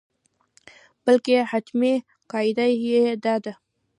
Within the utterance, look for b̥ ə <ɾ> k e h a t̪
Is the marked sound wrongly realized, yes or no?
yes